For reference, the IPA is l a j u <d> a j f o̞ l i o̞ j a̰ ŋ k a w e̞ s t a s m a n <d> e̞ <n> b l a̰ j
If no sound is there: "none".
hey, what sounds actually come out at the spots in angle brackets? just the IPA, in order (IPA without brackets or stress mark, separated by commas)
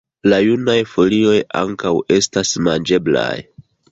n, d͡ʒ, none